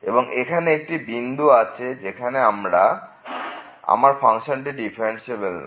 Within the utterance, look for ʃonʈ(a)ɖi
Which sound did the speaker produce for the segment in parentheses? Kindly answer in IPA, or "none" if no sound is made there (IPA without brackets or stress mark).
i